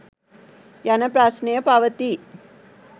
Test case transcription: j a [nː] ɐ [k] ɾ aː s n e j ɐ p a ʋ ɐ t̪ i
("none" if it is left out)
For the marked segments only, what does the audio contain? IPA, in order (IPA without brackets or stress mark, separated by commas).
n, p